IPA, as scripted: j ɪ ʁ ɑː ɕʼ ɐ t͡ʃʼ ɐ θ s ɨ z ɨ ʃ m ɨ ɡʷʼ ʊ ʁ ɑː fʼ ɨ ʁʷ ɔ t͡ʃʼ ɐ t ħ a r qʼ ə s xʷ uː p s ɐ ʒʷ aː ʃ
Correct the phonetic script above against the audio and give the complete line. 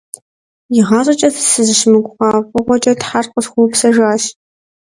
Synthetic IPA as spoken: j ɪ ʁ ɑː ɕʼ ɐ t͡ʃʼ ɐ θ s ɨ z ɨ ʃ m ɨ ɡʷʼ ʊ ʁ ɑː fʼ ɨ ʁʷ ɔ t͡ʃʼ ɐ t ħ a r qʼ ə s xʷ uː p s ɐ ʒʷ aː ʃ